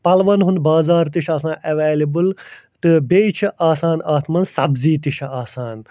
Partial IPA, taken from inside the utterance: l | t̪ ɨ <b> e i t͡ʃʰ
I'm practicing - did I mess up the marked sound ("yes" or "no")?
no